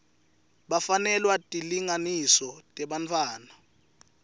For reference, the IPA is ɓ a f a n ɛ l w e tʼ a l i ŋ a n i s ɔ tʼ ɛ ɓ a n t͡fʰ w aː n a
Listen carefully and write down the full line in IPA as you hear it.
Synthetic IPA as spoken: ɓ a f a n ɛ l w a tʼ i l i ŋ a n i s ɔ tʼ ɛ ɓ a n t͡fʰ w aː n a